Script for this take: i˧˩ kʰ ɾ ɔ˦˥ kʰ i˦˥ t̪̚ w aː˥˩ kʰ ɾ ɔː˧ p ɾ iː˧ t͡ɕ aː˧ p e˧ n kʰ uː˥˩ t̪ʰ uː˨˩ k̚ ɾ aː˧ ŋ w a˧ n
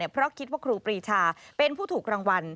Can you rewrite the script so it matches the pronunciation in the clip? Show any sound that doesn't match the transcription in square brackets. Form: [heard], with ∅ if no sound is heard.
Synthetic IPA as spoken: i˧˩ [pʰ] ɾ ɔ˦˥ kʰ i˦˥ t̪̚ w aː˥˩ kʰ ɾ [uː˧] p ɾ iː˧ [t͡ɕʰ] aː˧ p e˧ n [pʰ] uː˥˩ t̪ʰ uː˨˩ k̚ ɾ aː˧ ŋ w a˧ n